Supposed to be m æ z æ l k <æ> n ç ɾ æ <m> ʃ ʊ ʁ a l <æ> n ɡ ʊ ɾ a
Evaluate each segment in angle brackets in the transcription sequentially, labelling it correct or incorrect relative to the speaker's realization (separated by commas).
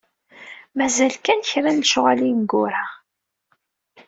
correct, incorrect, incorrect